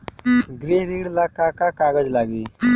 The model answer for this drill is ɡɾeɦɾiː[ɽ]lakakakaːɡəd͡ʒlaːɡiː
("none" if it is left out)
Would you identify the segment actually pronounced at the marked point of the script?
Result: ɽ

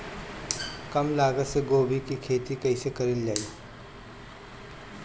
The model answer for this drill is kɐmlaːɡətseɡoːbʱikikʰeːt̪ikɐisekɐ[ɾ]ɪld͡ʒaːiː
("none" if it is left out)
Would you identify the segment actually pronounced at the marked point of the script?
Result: ɾ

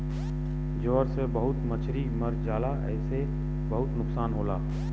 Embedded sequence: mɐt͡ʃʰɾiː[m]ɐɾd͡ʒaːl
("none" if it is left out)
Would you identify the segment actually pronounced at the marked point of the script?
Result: m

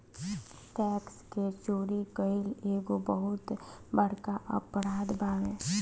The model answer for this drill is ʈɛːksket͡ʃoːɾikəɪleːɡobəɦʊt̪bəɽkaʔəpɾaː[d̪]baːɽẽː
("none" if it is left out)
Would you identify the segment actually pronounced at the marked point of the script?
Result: d̪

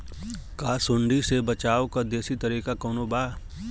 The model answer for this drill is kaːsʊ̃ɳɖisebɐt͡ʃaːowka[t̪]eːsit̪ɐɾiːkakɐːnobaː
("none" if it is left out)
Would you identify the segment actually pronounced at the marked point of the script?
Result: d̪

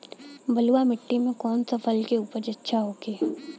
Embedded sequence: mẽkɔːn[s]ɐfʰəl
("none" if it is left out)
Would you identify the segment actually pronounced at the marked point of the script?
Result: s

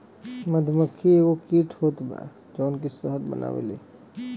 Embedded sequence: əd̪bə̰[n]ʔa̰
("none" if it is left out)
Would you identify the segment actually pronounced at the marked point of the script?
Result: n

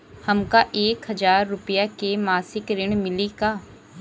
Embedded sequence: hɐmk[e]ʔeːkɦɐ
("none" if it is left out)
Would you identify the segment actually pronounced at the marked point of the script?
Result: a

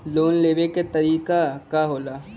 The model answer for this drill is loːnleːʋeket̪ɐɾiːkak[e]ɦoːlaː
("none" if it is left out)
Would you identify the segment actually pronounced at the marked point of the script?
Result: a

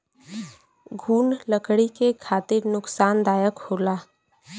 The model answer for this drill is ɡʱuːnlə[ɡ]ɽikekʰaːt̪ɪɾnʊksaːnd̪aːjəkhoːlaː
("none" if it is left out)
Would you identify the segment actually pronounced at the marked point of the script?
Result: k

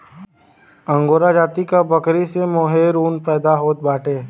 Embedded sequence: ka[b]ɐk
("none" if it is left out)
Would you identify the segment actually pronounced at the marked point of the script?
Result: b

